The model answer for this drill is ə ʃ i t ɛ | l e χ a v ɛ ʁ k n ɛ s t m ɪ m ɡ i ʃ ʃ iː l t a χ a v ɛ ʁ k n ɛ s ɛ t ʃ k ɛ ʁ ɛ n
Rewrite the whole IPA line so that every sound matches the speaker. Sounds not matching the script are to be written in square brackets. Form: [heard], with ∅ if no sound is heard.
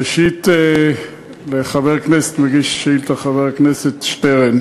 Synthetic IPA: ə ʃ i t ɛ | l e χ a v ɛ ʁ k n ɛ s t m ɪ [∅] ɡ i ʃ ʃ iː l t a χ a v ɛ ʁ k n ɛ s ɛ t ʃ [t] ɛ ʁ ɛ n